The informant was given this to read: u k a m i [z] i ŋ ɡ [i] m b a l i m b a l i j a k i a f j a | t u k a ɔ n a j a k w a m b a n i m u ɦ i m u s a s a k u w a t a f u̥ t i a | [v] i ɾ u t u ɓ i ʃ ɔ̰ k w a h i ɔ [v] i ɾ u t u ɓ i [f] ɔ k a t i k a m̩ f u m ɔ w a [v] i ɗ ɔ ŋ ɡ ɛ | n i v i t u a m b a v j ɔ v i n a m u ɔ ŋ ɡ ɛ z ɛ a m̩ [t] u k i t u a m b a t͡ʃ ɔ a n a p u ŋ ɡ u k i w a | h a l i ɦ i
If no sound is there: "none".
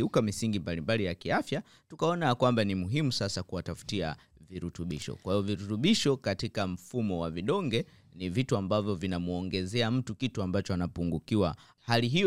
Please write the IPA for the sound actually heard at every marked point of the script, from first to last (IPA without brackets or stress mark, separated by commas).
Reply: s, i, v, v, ʃ, v, t